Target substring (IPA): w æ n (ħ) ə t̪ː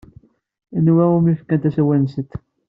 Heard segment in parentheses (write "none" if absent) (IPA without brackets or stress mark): s